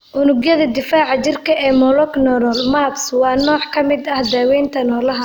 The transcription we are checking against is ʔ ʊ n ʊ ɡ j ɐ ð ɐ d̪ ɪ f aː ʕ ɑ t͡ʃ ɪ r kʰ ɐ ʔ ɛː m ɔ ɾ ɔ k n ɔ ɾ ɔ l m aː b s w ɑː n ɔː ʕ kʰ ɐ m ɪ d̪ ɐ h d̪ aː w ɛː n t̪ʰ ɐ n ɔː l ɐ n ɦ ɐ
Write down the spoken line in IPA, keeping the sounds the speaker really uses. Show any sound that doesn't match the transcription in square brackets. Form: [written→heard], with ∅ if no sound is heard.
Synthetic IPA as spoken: ʔ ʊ n ʊ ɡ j ɐ ð ɐ d̪ ɪ f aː ʕ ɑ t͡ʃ ɪ r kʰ ɐ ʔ ɛː m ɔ [ɾ→l] ɔ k n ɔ ɾ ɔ l m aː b s w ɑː n ɔː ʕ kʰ ɐ m ɪ d̪ ɐ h d̪ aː w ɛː n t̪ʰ ɐ n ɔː l ɐ [n→∅] ɦ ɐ